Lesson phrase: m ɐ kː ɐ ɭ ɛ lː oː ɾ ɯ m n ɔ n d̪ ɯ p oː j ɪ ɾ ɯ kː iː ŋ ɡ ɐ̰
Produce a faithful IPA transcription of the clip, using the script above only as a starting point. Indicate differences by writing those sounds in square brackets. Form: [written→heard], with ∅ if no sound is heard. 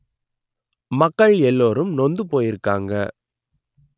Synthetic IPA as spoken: m ɐ kː ɐ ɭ ɛ lː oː ɾ ɯ m n ɔ n d̪ ɯ p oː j ɪ ɾ ɯ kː [iː→aː] ŋ ɡ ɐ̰